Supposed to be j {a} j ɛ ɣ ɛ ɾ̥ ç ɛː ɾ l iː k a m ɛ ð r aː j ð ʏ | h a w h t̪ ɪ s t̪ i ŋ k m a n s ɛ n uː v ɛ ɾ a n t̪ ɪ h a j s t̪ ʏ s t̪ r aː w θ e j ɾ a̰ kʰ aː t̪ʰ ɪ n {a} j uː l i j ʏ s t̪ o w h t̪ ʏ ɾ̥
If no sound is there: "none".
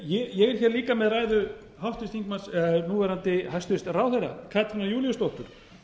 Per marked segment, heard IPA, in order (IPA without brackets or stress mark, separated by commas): ɛ, a